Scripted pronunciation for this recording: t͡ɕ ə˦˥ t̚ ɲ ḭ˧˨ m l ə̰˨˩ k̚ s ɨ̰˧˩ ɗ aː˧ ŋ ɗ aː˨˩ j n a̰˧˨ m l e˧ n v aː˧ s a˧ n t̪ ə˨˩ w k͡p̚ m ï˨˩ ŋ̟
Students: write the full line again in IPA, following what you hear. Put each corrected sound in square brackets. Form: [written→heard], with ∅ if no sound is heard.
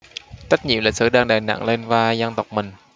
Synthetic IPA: t͡ɕ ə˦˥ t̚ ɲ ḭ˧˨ m l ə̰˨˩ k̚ s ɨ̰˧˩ ɗ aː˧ ŋ ɗ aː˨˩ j n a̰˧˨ [m→ŋ] l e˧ n v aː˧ [s→z] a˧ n t̪ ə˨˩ w k͡p̚ m ï˨˩ ŋ̟